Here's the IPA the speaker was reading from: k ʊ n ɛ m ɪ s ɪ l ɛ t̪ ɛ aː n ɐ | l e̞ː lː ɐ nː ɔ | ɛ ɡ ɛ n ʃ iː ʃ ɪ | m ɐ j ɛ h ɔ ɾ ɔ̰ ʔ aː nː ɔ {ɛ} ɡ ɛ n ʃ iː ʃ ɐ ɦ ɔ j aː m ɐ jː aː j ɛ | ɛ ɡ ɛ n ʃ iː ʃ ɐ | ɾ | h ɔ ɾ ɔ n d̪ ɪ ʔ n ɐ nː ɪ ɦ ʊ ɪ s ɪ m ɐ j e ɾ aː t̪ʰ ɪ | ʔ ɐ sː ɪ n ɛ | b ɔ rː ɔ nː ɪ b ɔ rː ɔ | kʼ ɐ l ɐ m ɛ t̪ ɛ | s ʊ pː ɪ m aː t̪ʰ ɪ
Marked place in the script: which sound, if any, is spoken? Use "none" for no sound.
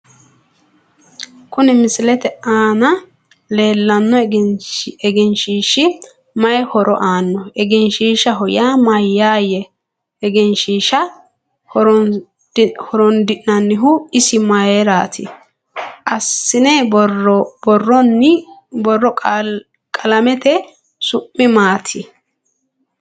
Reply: ɛ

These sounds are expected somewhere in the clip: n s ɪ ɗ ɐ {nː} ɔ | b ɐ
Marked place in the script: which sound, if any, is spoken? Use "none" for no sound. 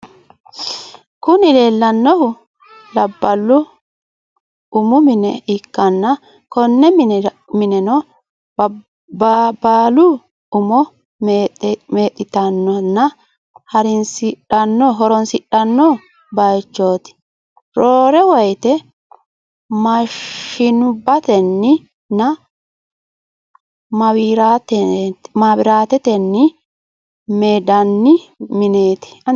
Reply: nː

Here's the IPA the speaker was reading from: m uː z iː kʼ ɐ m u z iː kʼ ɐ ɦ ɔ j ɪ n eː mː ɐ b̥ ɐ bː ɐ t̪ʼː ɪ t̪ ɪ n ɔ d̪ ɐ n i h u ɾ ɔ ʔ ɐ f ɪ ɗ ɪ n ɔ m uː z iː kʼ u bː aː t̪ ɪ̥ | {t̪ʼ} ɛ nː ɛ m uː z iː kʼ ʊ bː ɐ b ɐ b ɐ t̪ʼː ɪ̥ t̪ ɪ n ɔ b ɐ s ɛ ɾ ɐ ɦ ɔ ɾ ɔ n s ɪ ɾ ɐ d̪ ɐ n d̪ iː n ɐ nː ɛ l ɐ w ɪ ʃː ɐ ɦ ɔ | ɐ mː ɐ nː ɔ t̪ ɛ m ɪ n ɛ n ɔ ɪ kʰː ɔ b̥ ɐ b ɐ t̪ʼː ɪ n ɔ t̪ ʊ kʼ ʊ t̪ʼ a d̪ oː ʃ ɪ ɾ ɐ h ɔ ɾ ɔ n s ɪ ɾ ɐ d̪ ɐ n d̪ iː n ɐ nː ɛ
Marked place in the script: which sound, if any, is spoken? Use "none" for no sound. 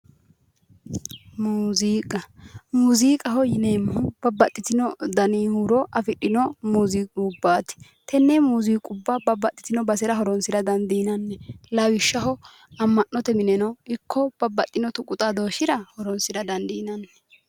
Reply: t̪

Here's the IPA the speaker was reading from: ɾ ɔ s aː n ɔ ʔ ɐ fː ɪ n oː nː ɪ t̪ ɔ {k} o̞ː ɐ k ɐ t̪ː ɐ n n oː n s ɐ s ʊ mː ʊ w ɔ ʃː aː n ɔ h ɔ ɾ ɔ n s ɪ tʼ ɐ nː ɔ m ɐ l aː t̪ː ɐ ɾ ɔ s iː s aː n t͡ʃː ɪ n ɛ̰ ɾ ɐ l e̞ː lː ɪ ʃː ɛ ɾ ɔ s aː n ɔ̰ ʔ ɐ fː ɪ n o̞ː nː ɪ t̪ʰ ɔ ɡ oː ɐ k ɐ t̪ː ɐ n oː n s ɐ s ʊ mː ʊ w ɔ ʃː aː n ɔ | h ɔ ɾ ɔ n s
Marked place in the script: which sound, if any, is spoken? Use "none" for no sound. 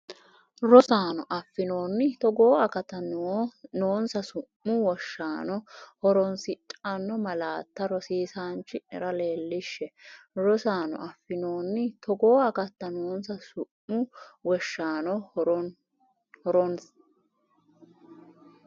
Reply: ɡ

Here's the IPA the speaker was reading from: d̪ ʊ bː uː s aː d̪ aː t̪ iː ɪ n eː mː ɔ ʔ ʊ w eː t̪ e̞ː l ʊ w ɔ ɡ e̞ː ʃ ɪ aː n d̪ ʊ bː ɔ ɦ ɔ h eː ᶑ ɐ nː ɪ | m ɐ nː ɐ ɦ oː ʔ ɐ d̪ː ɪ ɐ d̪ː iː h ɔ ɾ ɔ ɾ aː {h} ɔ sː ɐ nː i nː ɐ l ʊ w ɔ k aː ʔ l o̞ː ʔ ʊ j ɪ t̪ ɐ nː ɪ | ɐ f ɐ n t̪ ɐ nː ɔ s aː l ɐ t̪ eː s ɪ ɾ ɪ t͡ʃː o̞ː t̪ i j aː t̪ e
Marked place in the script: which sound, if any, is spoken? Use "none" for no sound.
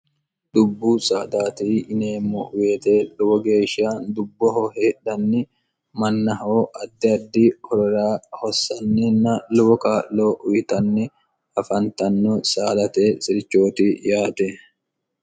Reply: h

